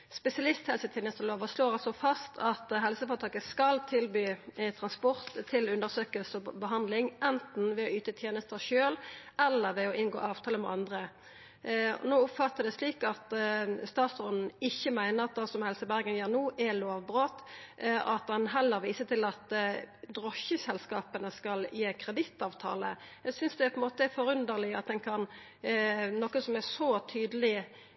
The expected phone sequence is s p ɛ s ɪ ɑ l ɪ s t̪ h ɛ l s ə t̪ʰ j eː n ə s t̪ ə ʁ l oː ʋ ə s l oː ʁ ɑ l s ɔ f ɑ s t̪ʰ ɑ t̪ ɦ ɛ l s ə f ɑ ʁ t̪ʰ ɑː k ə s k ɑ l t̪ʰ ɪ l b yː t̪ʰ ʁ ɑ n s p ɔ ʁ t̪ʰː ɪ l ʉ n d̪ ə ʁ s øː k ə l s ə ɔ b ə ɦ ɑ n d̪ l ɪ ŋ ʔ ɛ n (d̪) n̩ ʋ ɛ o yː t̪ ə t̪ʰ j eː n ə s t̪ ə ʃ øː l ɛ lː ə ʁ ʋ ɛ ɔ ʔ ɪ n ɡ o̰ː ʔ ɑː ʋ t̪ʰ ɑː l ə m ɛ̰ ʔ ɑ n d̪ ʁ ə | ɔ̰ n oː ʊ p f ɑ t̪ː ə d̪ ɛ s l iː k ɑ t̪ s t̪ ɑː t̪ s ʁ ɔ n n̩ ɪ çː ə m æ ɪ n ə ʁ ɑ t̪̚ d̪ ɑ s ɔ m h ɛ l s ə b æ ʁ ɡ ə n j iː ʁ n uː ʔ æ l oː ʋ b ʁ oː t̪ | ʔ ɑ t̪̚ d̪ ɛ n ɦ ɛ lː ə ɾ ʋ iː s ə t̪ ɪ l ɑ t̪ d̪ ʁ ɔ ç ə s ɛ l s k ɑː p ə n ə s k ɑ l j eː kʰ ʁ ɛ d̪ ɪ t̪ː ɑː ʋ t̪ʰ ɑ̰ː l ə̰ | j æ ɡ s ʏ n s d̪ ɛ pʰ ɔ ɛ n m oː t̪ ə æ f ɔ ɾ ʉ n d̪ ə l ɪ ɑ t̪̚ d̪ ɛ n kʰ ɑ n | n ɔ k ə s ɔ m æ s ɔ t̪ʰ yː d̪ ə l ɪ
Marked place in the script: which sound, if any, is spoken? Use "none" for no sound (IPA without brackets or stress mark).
t̪